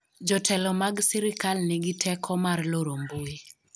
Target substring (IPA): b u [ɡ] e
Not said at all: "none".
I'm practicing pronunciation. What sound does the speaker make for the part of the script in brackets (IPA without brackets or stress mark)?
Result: none